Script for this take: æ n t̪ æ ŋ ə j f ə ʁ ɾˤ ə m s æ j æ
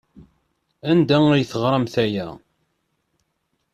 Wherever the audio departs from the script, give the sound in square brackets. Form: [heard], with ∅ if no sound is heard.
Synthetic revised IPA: æ n [d̪] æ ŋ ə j [θ] ə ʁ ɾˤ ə m [θ] æ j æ